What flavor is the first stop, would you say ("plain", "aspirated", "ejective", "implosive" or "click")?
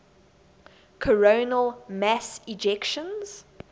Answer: aspirated